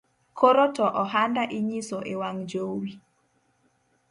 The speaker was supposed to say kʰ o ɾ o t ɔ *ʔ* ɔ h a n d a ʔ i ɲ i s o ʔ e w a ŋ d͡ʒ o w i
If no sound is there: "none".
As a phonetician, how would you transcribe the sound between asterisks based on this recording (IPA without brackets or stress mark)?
ʔ